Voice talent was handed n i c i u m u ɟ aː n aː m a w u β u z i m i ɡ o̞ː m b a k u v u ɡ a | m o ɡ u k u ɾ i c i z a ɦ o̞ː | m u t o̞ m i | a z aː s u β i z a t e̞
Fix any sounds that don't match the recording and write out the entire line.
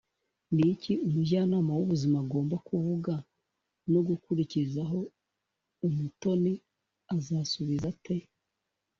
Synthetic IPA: n i c i u m u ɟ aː n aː m a w u β u z i m a ɡ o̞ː m b a k u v u ɡ a | n o ɡ u k u ɾ i c i z a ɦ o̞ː | m u t o̞ n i | a z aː s u β i z a t e̞